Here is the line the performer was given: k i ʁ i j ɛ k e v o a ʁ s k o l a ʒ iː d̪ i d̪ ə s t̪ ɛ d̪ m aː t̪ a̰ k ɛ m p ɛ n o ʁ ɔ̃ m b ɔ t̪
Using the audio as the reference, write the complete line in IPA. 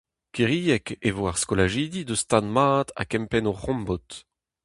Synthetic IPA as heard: k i ʁ i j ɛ k e v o a ʁ s k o l a ʒ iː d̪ i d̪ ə s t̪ a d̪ m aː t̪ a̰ k ɛ m p ɛ n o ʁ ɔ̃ m b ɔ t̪